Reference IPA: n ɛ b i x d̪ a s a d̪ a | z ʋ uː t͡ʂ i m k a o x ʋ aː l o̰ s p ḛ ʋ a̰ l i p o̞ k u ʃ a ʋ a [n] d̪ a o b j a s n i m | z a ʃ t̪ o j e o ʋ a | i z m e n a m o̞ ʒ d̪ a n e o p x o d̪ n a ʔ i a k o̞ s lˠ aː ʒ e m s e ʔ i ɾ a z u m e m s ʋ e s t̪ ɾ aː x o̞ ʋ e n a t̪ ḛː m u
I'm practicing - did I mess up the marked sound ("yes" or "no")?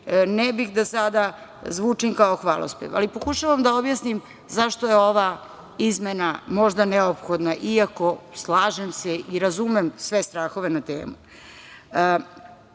yes